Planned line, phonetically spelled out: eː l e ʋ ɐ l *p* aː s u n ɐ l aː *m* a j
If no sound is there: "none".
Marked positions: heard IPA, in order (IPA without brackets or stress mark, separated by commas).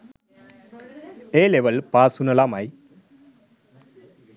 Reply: p, m